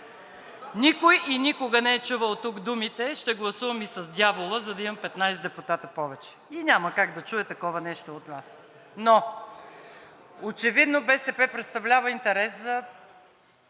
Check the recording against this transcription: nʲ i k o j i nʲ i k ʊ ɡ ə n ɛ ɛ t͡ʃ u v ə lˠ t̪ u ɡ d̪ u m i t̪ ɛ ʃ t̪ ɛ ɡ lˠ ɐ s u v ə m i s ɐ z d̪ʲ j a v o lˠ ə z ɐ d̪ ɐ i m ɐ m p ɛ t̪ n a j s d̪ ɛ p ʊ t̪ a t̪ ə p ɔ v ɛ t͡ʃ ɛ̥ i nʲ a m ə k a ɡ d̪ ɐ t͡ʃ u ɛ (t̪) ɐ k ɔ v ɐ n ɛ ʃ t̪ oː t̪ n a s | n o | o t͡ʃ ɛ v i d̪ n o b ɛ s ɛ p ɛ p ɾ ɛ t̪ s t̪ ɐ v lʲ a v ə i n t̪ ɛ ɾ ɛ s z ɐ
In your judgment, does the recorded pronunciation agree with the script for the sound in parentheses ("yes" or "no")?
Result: yes